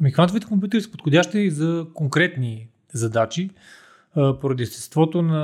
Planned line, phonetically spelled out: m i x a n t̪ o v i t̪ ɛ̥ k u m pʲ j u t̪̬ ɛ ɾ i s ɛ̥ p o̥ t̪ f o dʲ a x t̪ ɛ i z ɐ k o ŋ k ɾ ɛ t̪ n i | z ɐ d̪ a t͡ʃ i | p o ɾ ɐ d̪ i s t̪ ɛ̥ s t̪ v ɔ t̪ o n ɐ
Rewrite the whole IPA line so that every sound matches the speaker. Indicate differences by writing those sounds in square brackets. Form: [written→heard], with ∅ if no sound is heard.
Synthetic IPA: m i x a n t̪ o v i t̪ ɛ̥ k [u→o] m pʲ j u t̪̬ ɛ ɾ i s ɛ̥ p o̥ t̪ [f→x] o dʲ a [x→ʃ] t̪ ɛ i z ɐ k o ŋ k ɾ ɛ t̪ n i | z ɐ d̪ a t͡ʃ i | p o ɾ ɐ d̪ i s t̪ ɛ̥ s t̪ v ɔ t̪ o n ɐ